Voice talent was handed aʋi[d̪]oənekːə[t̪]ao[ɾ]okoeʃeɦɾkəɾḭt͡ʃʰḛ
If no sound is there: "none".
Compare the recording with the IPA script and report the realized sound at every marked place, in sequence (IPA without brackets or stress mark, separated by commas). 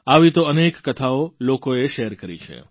t̪, t̪ʰ, l